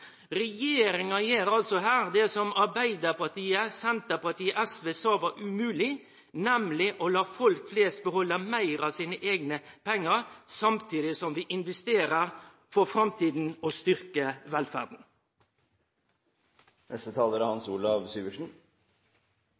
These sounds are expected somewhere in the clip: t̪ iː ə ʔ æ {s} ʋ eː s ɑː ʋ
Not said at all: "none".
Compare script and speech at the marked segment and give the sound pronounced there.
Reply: s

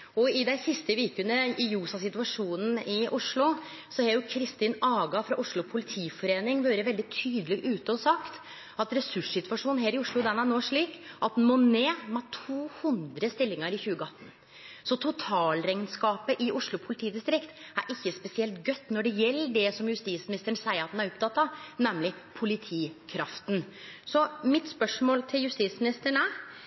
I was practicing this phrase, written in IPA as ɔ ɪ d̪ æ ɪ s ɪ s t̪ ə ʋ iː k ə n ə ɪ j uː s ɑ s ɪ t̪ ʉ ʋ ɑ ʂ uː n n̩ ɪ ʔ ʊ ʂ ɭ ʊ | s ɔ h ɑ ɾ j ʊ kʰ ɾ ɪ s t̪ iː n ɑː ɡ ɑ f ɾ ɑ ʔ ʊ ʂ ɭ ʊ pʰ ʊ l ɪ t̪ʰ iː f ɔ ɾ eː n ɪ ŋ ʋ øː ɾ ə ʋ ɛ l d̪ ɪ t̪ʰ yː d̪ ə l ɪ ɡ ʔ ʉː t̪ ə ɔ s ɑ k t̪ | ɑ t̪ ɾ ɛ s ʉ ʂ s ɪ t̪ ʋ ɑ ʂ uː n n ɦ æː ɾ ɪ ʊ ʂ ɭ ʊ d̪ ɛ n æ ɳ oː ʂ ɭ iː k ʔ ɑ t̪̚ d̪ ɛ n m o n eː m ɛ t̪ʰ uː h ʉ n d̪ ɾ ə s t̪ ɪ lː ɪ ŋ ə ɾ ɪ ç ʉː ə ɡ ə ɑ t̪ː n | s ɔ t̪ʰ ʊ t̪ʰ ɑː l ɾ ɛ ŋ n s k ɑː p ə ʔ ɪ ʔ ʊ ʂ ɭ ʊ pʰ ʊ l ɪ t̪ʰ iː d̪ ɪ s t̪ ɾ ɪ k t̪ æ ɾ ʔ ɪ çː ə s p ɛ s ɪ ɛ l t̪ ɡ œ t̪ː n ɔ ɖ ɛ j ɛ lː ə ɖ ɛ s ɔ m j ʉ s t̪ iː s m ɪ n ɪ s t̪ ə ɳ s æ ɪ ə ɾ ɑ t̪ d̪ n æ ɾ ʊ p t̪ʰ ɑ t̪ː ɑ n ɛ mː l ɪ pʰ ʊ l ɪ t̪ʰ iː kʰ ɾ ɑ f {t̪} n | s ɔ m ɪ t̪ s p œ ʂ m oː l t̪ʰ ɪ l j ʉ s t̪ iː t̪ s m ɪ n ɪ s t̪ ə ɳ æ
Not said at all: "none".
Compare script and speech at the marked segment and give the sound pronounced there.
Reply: t̪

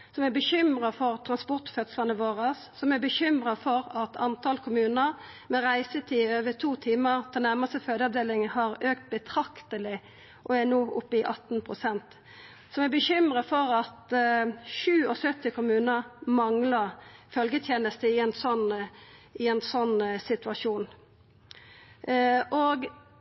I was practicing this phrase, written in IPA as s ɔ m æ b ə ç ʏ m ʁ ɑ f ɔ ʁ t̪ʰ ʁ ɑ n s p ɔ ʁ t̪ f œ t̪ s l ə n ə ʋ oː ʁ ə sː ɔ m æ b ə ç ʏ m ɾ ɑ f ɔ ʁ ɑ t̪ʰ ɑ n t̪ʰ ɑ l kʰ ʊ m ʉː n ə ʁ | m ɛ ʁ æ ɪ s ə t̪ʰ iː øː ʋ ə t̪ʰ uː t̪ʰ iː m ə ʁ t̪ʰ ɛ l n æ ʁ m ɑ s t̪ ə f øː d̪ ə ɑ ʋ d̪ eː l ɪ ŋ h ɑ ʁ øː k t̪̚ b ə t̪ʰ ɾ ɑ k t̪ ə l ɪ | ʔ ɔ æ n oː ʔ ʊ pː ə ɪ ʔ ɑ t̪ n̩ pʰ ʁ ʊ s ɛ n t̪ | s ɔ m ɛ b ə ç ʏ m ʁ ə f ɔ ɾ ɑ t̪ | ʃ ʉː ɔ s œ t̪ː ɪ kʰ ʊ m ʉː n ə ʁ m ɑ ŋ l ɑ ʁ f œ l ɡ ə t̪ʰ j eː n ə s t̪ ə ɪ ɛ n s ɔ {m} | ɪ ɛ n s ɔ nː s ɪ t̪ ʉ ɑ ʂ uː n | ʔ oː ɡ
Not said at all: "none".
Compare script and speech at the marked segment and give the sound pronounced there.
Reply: n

